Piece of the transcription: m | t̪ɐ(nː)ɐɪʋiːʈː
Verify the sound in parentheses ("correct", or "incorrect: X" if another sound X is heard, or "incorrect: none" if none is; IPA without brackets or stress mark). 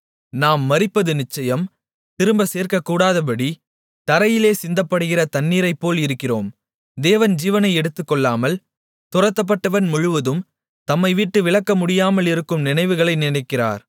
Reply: incorrect: mː